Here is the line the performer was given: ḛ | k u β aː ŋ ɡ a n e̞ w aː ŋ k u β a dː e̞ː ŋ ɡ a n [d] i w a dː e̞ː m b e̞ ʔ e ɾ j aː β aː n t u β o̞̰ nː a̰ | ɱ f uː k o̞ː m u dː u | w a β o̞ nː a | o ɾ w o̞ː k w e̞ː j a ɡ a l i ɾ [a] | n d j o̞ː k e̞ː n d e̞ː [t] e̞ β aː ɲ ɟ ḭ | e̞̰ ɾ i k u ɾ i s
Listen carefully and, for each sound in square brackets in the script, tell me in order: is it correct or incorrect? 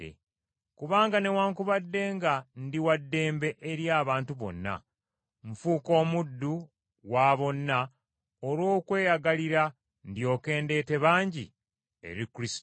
correct, correct, correct

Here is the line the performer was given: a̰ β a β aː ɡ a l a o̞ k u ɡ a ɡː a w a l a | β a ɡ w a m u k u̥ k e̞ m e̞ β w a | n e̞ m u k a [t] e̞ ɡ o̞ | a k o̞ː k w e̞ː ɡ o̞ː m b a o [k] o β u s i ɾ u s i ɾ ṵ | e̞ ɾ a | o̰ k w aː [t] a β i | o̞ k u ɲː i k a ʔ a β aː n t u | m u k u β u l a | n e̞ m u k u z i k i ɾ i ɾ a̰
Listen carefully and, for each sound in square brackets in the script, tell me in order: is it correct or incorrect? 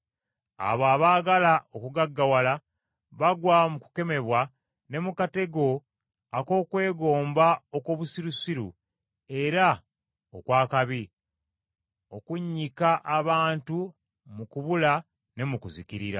correct, correct, incorrect

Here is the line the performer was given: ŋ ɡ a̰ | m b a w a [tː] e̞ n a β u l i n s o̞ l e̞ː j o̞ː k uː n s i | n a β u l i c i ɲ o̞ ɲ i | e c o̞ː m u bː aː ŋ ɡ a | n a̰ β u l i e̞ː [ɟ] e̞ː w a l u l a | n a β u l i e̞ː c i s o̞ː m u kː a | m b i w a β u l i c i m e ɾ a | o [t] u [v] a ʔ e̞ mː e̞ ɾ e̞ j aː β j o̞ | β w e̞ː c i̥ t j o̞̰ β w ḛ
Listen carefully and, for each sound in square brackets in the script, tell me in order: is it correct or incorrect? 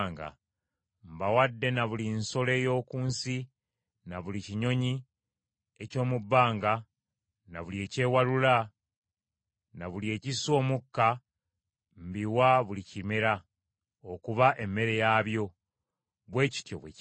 incorrect, incorrect, incorrect, incorrect

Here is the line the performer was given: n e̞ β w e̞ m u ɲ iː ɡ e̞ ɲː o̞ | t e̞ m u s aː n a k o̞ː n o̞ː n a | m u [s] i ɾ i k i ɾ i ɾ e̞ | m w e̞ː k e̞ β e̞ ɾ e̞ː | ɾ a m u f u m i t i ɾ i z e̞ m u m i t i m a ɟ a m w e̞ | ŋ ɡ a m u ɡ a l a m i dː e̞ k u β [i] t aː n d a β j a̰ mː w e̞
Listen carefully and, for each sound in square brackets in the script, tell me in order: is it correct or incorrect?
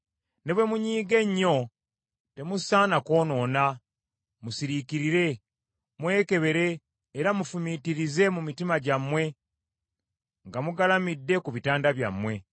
correct, correct

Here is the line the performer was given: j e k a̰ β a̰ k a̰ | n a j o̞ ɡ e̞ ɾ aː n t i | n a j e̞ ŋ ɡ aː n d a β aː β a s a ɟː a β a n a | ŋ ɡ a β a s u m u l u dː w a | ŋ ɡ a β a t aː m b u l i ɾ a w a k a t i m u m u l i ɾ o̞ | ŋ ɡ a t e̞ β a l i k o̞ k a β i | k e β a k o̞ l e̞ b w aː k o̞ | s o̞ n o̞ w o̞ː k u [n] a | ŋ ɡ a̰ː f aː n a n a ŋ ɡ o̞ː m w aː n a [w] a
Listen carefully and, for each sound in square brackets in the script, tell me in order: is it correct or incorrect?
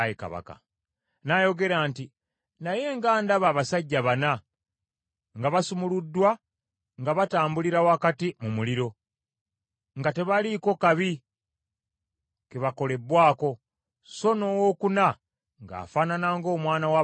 correct, correct

